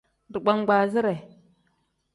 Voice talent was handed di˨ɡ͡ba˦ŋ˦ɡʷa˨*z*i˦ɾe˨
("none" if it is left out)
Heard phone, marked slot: z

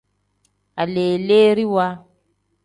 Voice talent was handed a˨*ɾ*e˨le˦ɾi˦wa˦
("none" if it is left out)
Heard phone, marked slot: l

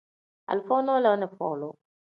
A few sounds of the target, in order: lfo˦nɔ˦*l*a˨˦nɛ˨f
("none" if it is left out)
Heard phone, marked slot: l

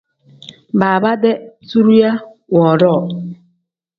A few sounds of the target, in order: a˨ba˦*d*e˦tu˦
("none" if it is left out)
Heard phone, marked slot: d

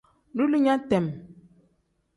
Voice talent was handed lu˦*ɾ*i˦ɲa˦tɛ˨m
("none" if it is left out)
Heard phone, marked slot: l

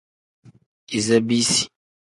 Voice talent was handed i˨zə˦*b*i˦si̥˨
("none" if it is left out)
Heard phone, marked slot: b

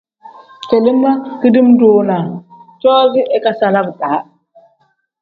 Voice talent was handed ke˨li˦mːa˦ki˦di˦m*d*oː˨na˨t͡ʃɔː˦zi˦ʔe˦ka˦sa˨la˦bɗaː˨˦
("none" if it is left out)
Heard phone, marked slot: d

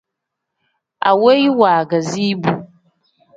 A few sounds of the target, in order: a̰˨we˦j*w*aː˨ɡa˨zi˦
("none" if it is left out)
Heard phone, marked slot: w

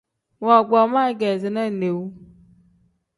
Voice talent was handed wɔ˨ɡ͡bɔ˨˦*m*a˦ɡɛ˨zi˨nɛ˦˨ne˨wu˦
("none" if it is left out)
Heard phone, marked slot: m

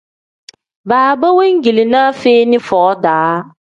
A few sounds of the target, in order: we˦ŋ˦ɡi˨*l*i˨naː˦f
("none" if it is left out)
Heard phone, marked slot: l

